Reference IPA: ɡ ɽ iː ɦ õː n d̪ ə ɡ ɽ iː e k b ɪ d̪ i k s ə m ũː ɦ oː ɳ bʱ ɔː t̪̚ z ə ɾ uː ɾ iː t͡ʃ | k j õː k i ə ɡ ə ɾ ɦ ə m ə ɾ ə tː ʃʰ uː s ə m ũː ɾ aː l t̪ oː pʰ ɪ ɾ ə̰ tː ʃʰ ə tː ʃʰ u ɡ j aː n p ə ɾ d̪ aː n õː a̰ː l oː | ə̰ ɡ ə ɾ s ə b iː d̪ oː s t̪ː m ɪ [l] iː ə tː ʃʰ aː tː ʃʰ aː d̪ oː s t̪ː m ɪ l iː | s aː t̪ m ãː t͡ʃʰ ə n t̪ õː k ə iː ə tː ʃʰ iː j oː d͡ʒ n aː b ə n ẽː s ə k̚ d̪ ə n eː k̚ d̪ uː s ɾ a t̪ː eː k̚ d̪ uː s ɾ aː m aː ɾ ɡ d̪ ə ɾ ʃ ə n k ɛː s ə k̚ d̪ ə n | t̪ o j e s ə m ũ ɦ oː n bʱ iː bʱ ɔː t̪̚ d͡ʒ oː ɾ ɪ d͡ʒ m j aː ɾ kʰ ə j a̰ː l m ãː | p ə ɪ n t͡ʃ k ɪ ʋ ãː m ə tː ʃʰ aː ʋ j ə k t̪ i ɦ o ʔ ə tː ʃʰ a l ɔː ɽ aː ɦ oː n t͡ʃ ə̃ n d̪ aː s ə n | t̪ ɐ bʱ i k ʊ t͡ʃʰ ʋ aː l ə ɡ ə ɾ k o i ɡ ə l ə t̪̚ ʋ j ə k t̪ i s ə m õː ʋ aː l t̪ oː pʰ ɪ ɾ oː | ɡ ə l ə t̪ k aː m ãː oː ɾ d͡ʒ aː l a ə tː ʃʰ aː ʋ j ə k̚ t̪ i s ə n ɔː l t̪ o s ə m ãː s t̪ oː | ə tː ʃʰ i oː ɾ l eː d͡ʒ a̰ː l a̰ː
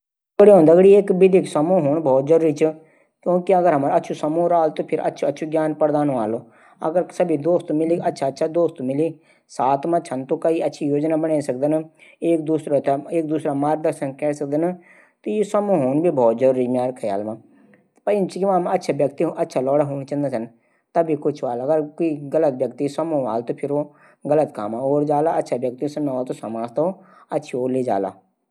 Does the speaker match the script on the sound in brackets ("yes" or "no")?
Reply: yes